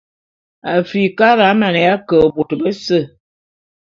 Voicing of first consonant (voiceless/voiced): voiceless